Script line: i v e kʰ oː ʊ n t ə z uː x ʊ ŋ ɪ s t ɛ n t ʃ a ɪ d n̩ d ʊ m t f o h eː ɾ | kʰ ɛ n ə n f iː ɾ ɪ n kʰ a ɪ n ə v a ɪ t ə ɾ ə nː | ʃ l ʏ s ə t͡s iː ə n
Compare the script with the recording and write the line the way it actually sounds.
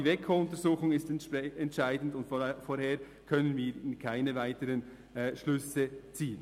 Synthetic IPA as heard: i v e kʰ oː ʊ n t ə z uː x ʊ ŋ ɪ s t ɛ n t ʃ a ɪ d n̩ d ʊ n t f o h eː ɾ | kʰ œ n ə n v iː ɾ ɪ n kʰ a ɪ n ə v a ɪ t ə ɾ ə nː | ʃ l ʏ s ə t͡s iː ə n